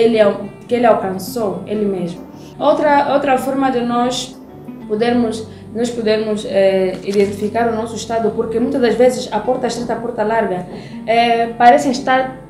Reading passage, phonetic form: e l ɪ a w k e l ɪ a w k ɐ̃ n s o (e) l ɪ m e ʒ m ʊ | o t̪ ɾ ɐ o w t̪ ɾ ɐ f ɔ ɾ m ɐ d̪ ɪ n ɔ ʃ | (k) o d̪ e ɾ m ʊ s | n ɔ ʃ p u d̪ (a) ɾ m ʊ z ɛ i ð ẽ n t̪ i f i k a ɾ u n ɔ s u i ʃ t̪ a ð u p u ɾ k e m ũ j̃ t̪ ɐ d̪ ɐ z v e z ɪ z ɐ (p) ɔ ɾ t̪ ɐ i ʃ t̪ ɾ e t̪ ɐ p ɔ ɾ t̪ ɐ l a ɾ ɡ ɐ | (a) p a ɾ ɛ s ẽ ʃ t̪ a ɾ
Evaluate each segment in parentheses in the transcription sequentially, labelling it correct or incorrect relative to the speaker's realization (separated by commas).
correct, incorrect, incorrect, correct, incorrect